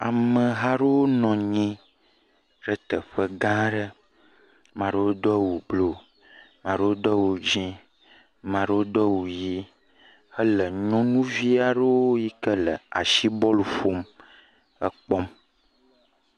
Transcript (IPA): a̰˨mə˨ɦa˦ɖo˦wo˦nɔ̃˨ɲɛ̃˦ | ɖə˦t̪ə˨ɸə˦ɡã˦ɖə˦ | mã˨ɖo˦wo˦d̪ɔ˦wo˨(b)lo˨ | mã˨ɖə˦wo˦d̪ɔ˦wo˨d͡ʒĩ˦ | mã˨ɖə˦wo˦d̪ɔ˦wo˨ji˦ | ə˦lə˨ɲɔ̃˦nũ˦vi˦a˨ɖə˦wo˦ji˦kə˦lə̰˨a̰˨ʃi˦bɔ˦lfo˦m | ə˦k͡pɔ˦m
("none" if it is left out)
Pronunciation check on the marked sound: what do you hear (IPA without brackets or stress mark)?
b